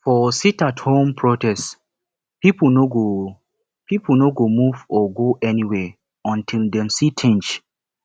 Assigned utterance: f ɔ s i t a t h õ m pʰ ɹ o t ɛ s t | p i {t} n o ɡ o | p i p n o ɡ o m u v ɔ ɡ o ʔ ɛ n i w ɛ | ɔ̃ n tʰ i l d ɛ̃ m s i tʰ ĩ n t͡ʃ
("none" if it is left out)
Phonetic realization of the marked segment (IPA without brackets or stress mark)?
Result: p